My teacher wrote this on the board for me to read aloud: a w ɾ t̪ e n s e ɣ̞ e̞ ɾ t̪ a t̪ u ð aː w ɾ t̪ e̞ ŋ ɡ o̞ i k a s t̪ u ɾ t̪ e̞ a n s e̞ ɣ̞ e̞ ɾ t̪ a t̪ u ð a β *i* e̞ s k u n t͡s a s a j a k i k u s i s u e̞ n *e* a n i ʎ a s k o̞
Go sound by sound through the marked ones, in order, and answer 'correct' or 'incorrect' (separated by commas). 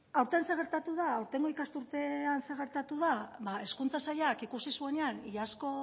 incorrect, correct